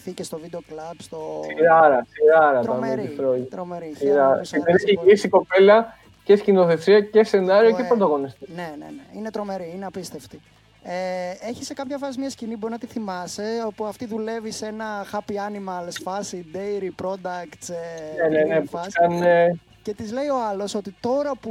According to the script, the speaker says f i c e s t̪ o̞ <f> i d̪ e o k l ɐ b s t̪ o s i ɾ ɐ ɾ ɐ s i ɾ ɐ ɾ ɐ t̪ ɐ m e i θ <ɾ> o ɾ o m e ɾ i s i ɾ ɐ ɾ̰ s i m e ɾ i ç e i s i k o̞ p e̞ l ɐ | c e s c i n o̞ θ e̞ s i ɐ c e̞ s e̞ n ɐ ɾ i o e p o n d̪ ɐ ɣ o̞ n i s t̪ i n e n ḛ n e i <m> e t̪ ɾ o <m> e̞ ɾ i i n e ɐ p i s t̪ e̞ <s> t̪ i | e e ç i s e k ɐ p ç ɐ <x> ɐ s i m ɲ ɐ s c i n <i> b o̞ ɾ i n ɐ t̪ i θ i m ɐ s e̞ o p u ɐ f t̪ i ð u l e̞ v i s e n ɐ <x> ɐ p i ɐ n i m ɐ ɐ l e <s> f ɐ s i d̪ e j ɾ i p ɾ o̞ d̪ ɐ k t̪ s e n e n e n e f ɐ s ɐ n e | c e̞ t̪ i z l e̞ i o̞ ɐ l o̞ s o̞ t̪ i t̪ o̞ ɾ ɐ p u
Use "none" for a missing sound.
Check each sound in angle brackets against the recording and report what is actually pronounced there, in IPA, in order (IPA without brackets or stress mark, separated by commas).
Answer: v, ɾ, n, m, f, f, i, x, s